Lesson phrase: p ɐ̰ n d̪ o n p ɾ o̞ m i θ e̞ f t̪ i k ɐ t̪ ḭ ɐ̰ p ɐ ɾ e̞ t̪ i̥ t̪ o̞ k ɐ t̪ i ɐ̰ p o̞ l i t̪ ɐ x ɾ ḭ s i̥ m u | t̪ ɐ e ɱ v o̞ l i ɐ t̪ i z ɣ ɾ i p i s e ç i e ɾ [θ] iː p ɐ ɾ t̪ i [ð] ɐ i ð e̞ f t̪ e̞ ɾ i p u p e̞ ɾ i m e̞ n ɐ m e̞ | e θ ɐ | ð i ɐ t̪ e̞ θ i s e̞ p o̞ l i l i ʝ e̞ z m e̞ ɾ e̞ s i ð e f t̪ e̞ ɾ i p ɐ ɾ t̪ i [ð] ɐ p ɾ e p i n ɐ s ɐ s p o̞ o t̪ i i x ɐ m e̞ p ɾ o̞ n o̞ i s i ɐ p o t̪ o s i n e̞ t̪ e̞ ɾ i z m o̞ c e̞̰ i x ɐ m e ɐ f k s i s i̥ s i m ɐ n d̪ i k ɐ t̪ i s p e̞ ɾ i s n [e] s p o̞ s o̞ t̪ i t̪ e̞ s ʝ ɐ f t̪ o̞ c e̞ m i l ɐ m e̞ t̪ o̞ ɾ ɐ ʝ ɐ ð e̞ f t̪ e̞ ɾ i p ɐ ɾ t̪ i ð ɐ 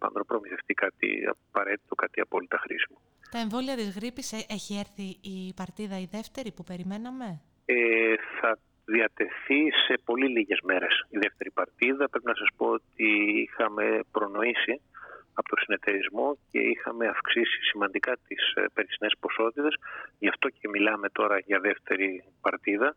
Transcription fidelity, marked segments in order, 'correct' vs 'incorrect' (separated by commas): correct, correct, correct, correct